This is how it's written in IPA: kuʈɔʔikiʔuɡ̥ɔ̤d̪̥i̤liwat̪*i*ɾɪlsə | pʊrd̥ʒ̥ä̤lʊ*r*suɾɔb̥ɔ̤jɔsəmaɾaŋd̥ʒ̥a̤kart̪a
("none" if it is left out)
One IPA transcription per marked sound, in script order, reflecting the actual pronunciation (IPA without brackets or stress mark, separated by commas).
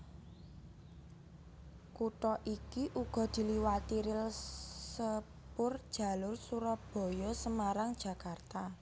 i, r